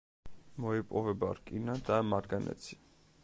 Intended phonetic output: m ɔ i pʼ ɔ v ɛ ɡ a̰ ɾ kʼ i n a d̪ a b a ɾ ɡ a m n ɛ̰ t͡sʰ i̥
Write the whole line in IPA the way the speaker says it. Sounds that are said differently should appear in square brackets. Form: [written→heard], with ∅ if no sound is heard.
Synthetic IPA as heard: m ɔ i pʼ ɔ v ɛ [ɡ→b] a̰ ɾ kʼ i n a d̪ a [b→m] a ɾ ɡ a [m→∅] n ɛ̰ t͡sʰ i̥